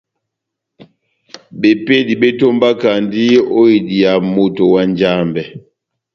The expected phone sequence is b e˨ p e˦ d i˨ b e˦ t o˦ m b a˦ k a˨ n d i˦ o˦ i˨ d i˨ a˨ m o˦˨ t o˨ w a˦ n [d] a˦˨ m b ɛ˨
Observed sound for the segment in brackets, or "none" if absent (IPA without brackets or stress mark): d͡ʒ